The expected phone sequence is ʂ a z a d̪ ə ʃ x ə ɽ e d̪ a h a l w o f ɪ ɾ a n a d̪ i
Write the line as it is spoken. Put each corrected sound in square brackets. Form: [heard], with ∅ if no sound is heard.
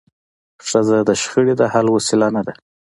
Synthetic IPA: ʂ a z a d̪ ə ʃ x ə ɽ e d̪ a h a l w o [s] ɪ [l] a n a d̪ [a]